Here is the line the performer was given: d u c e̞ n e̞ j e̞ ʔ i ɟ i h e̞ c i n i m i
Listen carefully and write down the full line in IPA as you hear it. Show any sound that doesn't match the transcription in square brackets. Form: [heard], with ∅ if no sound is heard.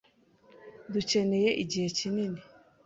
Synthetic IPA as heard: d u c e̞ n e̞ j e̞ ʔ i ɟ i h e̞ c i n i [n] i